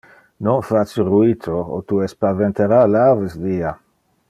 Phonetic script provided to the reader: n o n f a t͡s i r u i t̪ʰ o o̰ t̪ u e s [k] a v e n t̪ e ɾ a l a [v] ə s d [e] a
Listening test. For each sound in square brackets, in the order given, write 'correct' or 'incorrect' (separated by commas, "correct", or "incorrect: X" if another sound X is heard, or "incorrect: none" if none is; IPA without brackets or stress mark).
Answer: incorrect: p, correct, incorrect: i